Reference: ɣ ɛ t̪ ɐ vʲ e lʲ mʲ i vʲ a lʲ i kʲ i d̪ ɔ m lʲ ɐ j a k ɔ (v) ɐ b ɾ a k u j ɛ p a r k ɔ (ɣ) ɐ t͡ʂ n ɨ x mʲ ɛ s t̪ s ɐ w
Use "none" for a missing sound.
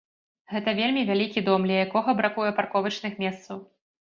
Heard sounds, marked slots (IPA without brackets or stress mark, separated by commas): ɣ, v